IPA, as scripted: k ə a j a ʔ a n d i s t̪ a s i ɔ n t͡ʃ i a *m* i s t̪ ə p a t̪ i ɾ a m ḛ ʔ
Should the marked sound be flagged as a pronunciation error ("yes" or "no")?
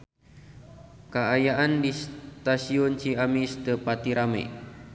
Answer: no